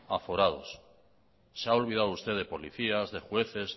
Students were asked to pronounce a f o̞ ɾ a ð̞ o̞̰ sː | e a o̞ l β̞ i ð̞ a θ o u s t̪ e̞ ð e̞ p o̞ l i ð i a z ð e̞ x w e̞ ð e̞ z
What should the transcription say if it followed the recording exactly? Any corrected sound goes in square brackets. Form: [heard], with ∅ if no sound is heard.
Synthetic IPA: a f o̞ ɾ a ð̞ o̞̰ sː | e a o̞ l β̞ i ð̞ a [ð] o u s t̪ e̞ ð e̞ p o̞ l i [θ] i a z ð e̞ x w e̞ [θ] e̞ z